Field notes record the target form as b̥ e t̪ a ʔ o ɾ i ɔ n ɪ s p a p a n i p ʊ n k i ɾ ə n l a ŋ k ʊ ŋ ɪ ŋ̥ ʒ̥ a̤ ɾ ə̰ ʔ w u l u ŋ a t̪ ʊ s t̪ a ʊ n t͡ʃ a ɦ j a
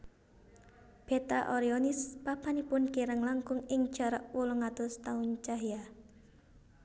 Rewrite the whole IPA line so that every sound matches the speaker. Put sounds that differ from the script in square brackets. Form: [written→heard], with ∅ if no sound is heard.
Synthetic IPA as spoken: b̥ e t̪ a ʔ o ɾ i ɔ n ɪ s p a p a n i p ʊ n k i ɾ ə [n→ŋ] l a ŋ k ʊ ŋ ɪ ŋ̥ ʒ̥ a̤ ɾ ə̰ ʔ w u l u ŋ a t̪ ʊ s t̪ a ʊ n t͡ʃ a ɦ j a